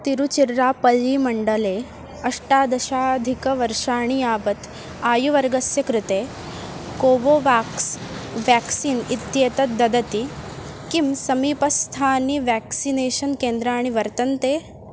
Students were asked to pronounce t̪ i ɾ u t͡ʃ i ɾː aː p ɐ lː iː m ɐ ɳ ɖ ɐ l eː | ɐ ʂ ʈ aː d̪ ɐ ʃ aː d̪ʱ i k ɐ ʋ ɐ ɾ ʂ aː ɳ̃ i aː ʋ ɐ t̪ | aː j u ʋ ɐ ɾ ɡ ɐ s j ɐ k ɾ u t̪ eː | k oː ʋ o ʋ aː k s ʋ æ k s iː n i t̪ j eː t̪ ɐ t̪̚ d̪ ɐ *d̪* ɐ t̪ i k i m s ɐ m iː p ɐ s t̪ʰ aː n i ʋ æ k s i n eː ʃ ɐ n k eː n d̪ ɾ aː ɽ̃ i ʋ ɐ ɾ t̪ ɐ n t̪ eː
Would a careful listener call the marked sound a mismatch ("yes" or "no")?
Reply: no